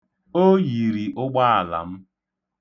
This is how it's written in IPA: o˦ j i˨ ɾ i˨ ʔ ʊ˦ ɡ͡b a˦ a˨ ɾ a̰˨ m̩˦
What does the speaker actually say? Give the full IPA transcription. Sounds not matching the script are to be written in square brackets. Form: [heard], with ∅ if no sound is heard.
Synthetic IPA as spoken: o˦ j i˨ ɾ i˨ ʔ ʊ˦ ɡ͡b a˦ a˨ [l] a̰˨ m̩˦